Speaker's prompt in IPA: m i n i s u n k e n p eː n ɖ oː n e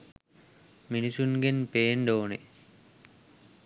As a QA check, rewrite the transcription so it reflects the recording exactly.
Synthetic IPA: m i n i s u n ɡ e n p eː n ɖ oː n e